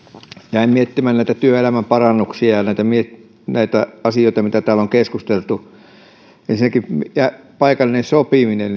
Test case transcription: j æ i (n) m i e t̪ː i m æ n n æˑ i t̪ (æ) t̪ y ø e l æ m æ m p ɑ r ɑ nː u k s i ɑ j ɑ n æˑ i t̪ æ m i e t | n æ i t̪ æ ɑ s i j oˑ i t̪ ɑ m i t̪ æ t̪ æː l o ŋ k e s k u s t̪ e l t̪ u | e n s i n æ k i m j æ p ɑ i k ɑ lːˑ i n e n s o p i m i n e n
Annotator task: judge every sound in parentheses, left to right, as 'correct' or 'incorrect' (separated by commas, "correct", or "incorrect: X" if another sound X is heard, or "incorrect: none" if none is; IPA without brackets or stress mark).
incorrect: m, correct